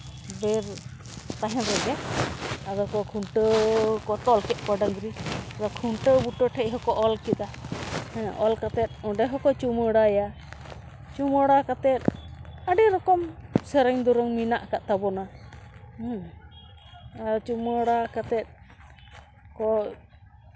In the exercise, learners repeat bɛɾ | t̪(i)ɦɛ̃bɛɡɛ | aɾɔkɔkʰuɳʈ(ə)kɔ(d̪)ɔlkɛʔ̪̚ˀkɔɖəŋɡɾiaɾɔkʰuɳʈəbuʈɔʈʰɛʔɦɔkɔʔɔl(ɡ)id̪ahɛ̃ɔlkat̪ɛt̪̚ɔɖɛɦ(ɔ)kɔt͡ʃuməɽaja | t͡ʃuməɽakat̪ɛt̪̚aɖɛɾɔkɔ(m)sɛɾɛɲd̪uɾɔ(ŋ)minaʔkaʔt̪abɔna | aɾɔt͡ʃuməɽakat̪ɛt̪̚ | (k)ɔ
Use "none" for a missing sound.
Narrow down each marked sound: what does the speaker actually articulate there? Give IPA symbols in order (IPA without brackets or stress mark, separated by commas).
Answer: a, ə, t̪, k, ɔ, m, ŋ, k